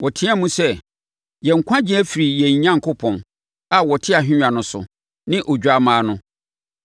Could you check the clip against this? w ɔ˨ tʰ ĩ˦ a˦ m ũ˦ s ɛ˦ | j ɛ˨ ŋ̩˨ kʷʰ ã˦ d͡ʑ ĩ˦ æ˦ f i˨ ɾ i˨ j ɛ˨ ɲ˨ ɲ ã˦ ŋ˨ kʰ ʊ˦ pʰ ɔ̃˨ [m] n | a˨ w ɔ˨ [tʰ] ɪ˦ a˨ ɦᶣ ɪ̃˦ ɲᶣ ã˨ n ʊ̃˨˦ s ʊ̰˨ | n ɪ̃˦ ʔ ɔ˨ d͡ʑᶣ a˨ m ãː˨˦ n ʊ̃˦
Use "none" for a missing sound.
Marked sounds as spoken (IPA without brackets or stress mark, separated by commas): none, tʰ